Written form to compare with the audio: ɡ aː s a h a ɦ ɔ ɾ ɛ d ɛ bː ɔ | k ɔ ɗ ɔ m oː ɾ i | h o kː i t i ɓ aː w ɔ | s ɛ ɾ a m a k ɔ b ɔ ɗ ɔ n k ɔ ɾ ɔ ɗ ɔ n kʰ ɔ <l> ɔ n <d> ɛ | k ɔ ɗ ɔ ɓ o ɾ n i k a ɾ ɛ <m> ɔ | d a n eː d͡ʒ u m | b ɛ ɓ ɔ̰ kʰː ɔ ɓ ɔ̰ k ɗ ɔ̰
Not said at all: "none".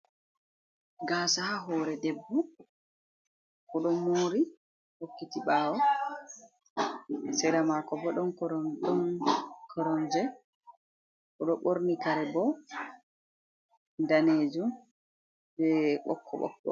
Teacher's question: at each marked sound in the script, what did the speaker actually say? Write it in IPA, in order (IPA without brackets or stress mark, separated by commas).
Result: ɾ, d͡ʒ, b